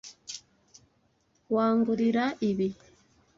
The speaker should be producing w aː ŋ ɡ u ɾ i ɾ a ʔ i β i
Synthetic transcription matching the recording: w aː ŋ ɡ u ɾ i ɾ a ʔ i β i